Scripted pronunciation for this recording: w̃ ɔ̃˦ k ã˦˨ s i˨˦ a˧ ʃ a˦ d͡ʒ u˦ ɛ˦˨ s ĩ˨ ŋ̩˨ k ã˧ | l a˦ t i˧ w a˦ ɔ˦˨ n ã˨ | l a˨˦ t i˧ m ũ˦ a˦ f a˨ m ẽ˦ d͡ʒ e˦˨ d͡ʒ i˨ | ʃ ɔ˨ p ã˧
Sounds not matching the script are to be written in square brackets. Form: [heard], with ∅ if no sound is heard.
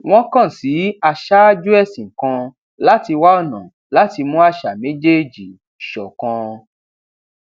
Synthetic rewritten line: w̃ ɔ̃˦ k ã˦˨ s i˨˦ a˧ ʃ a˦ d͡ʒ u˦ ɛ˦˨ s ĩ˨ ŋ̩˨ k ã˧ | l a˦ t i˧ w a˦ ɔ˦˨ n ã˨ | l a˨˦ t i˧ m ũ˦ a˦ [ʃ] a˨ m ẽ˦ d͡ʒ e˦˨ d͡ʒ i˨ | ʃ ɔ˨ [k] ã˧